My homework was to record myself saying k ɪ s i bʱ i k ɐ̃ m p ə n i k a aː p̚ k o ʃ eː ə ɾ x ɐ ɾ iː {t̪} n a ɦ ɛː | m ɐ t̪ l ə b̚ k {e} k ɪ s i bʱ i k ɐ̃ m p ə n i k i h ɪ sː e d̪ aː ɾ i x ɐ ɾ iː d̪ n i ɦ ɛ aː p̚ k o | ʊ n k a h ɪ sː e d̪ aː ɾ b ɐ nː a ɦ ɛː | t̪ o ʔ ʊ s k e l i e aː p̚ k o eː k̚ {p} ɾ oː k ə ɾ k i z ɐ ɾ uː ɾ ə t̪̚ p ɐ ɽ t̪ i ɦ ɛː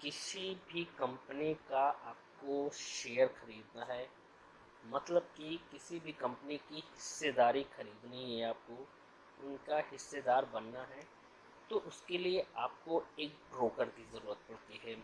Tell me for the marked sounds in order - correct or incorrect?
incorrect: d̪, incorrect: i, incorrect: b

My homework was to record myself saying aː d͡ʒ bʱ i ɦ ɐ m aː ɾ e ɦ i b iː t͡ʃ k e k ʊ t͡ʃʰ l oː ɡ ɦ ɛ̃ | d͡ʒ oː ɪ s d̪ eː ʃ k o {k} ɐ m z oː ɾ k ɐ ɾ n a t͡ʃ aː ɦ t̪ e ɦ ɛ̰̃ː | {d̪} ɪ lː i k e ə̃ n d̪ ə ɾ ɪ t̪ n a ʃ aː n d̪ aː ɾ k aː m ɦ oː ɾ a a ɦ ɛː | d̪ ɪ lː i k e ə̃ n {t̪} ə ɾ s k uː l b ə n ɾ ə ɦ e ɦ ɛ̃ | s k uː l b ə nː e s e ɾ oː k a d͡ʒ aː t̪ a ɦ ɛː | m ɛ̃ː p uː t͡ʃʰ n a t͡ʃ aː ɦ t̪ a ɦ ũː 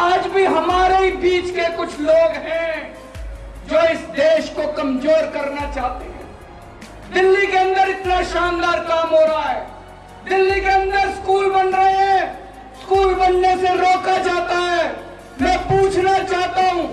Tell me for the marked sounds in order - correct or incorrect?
correct, correct, incorrect: d̪

